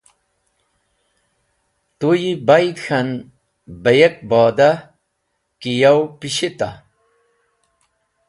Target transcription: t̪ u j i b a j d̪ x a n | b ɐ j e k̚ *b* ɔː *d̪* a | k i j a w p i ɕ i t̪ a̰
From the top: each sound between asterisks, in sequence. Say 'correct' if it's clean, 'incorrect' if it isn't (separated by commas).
correct, correct